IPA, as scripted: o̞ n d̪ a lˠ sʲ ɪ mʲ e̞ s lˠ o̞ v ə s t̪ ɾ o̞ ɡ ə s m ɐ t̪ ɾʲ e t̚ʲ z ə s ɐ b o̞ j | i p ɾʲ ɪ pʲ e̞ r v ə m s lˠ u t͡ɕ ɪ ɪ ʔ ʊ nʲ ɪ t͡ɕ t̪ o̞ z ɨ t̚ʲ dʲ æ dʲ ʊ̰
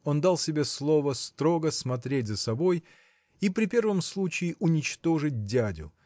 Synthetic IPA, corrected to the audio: o̞ n d̪ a lˠ sʲ ɪ bʲ e̞ s lˠ o̞ v ə s t̪ ɾ o̞ ɡ ə s m ɐ t̪ ɾʲ e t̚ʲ z ə s ɐ b o̞ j | i p ɾʲ ɪ pʲ e̞ r v ə m s lˠ u t͡ɕ ɪ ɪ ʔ ʊ nʲ ɪ t͡ɕ t̪ o̞ ʐ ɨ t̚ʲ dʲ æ dʲ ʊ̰